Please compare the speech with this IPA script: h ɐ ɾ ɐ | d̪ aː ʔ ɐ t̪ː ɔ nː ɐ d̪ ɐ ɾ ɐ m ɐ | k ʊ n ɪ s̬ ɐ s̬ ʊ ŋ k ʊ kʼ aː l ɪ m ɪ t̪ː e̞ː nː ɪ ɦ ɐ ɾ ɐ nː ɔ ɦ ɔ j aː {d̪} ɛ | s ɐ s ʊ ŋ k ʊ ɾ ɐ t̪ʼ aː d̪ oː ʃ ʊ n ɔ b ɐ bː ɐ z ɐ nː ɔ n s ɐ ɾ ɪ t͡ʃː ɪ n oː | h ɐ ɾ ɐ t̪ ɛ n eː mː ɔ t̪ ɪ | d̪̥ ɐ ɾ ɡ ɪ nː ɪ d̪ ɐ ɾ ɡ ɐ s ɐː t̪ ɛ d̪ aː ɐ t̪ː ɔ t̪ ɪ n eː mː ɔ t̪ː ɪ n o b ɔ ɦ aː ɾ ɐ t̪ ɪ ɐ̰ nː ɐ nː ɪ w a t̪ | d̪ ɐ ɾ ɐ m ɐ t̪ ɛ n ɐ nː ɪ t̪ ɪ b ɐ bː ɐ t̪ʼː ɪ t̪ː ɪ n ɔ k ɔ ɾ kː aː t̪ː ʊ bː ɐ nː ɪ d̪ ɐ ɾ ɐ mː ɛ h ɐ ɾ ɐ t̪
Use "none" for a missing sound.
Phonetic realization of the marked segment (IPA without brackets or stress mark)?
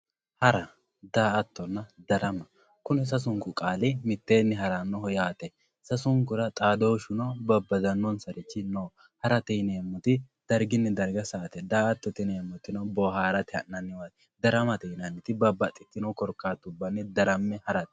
t̪